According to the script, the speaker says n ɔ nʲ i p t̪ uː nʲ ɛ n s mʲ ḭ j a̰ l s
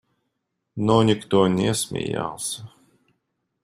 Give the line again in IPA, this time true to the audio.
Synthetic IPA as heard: n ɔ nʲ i k t̪ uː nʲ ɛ s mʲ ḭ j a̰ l s